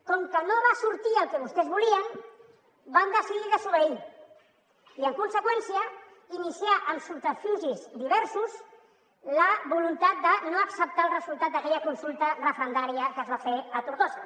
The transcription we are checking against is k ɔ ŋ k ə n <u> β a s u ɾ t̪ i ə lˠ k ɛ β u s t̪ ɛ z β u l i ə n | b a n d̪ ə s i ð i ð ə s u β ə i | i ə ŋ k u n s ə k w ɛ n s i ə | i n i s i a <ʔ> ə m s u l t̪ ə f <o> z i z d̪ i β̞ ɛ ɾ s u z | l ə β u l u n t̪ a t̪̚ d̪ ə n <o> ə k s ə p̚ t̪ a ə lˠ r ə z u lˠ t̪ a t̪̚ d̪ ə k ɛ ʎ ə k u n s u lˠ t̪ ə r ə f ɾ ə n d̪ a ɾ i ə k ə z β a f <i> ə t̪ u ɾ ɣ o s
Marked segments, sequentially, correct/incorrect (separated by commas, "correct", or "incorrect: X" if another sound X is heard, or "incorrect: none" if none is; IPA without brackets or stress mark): incorrect: o, correct, incorrect: u, correct, incorrect: e